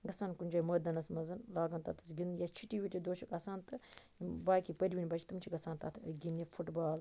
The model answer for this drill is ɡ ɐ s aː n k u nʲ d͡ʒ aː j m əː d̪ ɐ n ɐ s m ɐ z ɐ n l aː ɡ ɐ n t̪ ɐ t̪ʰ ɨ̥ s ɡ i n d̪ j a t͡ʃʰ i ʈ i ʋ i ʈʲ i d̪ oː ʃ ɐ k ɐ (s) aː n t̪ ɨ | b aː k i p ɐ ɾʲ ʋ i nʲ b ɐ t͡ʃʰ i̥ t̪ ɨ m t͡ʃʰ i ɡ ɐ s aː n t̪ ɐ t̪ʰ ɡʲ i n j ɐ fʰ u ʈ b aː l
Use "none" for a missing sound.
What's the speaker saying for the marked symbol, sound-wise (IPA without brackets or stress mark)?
s